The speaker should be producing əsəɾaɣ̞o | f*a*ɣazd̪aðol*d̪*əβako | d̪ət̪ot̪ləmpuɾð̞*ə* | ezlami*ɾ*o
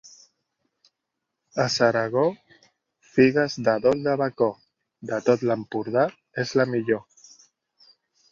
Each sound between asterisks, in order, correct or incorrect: incorrect, correct, incorrect, incorrect

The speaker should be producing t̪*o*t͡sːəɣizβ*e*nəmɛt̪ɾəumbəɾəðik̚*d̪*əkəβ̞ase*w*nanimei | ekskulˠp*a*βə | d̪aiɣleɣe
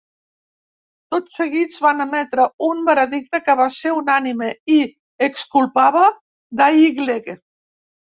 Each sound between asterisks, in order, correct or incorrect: correct, incorrect, incorrect, incorrect, correct

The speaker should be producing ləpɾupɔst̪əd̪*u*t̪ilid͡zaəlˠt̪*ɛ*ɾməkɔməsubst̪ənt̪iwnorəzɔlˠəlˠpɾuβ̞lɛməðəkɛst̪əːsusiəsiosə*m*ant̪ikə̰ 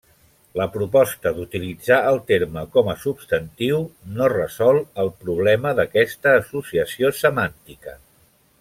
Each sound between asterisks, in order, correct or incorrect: correct, incorrect, correct

